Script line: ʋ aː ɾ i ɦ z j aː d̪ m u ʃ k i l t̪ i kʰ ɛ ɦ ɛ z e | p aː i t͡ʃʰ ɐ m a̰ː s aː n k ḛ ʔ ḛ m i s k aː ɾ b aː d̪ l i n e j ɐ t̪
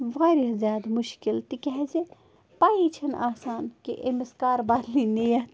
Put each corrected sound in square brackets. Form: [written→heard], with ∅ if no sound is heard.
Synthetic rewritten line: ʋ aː ɾ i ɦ z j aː d̪ m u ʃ k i l t̪ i [kʰ→k] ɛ ɦ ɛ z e | p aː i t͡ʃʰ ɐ [m→n] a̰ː s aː n k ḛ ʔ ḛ m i s k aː ɾ b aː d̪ l i n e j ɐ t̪